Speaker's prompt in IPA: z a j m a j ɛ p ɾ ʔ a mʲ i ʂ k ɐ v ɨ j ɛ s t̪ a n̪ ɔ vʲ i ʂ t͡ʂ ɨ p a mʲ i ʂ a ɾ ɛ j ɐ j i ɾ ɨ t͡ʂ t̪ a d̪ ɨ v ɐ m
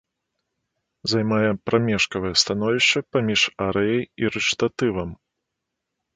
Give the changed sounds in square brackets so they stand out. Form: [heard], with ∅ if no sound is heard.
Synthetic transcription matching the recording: z a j m a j ɛ p ɾ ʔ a mʲ [ɛ] ʂ k ɐ v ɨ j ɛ s t̪ a n̪ ɔ vʲ i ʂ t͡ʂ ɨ p a mʲ i ʂ a ɾ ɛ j ɐ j i ɾ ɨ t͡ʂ t̪ a [t̪] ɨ v ɐ m